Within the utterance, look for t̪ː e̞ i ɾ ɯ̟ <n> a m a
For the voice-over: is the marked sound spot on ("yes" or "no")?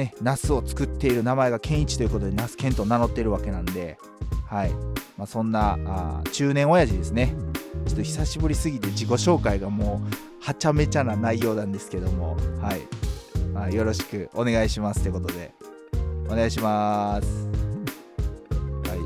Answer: yes